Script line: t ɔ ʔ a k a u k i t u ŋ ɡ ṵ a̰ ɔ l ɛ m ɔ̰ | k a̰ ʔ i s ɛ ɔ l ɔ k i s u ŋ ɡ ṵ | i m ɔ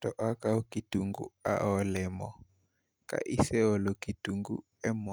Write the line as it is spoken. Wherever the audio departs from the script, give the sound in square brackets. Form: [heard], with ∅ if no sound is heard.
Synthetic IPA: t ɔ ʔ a k a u k i t u ŋ ɡ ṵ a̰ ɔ l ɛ m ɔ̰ | k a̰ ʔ i s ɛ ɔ l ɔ k i [t] u ŋ ɡ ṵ | [ɛ] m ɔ